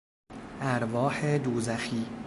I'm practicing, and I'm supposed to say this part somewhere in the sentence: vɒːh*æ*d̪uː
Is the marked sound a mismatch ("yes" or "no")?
yes